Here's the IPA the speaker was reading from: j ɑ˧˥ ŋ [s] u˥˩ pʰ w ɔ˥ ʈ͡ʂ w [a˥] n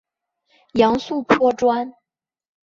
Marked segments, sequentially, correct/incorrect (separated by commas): correct, correct